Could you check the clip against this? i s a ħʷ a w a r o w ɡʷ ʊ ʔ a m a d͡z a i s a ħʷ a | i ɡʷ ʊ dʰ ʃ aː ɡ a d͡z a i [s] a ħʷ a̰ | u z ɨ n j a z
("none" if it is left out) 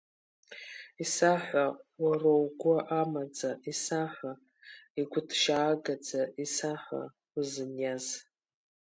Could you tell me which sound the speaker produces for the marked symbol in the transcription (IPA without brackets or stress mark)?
s